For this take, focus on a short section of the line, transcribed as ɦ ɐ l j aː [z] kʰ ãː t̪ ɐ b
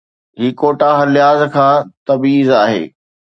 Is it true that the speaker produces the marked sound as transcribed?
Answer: yes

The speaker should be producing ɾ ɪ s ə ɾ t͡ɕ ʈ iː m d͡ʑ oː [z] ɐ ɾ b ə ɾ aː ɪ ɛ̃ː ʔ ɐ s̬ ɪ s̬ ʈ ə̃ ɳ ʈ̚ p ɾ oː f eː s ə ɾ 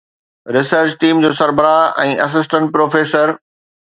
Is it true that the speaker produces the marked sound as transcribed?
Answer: no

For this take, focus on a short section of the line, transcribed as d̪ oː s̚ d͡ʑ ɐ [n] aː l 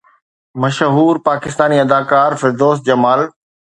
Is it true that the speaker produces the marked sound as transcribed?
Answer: no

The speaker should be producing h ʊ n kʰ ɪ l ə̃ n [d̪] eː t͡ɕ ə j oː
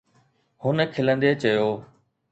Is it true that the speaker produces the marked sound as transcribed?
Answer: yes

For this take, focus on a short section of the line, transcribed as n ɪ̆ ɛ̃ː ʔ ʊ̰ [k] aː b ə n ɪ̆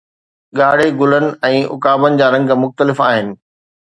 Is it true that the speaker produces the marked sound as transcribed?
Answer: yes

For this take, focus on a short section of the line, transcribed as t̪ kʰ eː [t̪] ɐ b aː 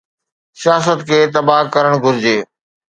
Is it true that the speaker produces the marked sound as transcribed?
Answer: yes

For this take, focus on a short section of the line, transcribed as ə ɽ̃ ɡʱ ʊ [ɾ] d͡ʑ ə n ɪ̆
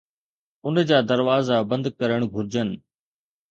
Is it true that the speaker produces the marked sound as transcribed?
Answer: yes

